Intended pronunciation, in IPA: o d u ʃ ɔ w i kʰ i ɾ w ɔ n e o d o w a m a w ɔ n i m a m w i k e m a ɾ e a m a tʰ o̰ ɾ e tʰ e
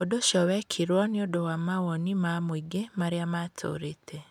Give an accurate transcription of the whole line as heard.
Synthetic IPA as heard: o d o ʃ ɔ w ɛ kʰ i ɾ w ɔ n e o d o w a m a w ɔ n i m a m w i ɡ e m a ɾ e a m a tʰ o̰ ɾ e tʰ e